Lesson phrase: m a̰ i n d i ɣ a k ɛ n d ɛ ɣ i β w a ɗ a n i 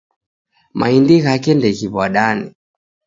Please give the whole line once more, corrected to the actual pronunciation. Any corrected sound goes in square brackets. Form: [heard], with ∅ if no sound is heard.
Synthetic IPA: m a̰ i n d i ɣ a k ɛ n d ɛ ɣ i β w a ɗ a n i